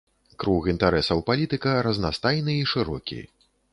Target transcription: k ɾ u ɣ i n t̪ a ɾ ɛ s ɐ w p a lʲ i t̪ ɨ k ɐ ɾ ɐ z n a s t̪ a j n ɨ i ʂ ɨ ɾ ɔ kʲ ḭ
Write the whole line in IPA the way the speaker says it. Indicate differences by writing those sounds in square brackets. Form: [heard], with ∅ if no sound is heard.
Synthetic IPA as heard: k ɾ u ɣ i n t̪ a ɾ ɛ s ɐ w p a lʲ i t̪ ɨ k ɐ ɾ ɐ z n a s t̪ a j n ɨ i ʂ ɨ ɾ ɔ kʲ ḭ